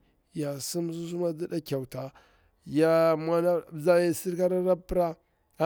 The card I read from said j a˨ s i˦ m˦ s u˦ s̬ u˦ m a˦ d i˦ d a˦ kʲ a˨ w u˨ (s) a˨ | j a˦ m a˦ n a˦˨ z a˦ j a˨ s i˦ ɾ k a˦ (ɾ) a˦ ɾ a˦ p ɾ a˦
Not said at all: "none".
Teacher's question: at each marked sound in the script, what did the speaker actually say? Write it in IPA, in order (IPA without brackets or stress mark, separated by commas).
t, ɾ